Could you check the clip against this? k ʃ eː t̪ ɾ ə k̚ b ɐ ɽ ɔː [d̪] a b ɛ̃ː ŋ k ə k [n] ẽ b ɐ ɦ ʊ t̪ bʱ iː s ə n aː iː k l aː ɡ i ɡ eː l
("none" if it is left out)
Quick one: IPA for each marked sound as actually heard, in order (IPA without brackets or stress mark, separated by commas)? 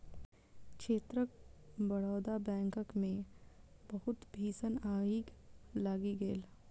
d̪, m